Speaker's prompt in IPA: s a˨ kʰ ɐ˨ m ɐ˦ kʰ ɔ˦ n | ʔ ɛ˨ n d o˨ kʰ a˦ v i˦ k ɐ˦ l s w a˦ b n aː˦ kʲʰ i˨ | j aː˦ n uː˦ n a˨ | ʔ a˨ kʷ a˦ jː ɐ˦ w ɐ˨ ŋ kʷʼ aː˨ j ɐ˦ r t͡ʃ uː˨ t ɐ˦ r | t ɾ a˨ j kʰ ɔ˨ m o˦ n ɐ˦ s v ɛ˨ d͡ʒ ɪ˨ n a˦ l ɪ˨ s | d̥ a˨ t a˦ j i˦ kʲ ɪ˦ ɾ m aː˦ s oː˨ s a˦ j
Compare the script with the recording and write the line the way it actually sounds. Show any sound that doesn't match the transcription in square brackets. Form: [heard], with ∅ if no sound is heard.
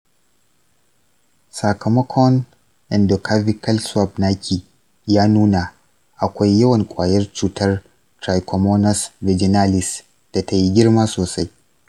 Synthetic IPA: s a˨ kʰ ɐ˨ m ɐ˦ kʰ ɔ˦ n | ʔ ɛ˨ n d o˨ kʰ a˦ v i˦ k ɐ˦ l s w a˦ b n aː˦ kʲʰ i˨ | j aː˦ n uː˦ n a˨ | ʔ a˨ kʷ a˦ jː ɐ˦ w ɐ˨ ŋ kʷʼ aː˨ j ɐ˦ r t͡ʃ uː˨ t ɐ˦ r | t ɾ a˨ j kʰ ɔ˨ m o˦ n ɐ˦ s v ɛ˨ d͡ʒ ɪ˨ n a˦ l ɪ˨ s | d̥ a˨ t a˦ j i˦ [ɡʲ] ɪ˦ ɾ m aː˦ s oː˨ s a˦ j